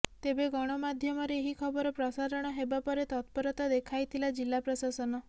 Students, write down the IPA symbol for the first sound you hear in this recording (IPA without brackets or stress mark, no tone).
t̪